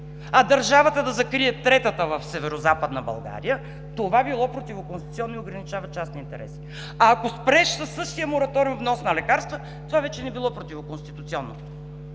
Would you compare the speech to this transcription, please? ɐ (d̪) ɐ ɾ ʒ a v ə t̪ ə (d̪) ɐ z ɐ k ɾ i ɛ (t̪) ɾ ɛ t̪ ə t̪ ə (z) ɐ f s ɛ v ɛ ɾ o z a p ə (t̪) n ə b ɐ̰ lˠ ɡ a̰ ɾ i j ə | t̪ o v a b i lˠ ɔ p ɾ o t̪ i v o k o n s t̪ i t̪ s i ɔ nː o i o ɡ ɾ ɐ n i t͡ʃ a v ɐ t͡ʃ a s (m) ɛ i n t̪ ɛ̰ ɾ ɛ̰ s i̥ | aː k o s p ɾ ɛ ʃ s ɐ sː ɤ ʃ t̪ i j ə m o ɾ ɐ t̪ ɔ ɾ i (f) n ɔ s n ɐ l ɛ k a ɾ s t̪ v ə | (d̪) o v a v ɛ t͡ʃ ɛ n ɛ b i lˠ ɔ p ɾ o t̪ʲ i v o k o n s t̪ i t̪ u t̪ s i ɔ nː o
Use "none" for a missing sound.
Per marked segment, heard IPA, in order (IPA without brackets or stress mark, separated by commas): d̪, d̪, t̪, v, d̪, n, v, t̪